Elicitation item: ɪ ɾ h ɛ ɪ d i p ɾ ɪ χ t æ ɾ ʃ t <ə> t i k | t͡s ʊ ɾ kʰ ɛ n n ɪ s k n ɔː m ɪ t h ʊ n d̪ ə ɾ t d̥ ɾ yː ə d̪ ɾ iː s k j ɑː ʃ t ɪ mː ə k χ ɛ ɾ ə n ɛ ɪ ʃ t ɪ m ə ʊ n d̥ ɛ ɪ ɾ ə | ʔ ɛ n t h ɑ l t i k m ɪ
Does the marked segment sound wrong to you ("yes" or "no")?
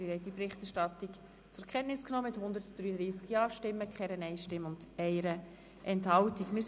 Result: yes